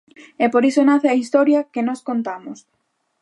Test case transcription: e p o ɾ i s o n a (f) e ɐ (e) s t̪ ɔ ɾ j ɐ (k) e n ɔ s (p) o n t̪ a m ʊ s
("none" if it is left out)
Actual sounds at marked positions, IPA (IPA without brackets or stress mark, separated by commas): θ, i, k, k